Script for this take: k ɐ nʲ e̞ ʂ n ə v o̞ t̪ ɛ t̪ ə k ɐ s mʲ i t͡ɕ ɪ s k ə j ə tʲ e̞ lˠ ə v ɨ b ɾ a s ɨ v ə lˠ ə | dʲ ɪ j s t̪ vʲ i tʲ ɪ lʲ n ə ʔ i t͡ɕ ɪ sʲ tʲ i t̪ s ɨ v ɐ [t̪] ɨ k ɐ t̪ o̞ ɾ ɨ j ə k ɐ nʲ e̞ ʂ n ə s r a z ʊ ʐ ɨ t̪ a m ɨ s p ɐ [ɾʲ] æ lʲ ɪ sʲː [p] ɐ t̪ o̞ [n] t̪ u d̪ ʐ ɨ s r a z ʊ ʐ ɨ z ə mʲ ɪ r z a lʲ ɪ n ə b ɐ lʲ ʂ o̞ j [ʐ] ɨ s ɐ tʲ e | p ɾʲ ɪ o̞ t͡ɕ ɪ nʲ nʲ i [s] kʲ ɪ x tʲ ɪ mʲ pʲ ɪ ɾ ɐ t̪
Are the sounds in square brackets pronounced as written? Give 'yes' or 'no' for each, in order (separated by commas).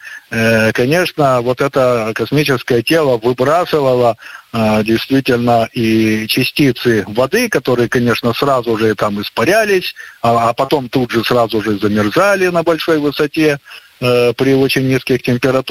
no, yes, yes, no, no, yes